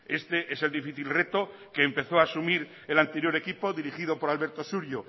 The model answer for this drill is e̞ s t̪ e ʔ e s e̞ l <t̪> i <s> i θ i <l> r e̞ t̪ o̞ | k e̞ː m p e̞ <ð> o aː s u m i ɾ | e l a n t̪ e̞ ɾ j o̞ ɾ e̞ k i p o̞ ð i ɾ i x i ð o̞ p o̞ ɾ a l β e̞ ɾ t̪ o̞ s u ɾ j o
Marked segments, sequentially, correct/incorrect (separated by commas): incorrect, incorrect, correct, incorrect